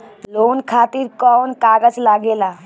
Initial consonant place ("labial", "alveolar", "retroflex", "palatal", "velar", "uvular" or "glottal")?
alveolar